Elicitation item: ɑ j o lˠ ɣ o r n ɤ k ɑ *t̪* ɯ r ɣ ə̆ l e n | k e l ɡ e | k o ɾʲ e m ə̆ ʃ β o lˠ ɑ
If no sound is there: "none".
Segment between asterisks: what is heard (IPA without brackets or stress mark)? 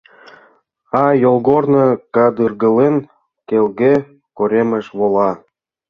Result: d̪